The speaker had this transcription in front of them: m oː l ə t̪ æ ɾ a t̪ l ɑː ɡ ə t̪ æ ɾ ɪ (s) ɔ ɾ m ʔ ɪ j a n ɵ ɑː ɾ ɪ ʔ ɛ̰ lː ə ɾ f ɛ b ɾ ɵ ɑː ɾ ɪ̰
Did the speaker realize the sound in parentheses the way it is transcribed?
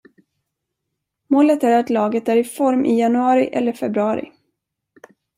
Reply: no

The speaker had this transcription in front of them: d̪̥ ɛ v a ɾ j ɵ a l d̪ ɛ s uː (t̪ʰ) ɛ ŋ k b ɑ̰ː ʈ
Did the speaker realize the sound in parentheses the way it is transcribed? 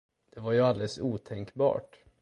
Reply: yes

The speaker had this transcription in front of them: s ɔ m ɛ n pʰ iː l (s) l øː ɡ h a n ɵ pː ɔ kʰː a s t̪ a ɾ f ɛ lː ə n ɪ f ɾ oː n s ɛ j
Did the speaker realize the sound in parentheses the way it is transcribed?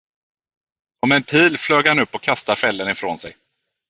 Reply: no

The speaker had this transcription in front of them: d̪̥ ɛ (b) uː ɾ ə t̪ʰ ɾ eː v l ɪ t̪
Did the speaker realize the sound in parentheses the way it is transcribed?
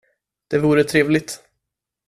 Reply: no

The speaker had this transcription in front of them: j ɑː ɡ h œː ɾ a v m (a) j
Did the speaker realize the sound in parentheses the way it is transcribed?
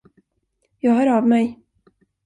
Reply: no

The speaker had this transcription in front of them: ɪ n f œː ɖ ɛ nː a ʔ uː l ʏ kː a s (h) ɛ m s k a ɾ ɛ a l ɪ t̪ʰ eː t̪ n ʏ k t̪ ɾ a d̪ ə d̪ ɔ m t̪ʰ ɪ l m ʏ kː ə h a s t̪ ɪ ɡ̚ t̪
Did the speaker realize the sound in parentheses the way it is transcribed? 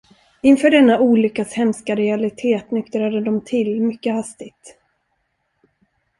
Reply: yes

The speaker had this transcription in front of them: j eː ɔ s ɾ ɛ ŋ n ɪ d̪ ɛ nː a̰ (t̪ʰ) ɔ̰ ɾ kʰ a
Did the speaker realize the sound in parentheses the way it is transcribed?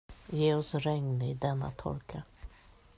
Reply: yes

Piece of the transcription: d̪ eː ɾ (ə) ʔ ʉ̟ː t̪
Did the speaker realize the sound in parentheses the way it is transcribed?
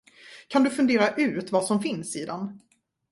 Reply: no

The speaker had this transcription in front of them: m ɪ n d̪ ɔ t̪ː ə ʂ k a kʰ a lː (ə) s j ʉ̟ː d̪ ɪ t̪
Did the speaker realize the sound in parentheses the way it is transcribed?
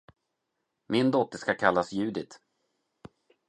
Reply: no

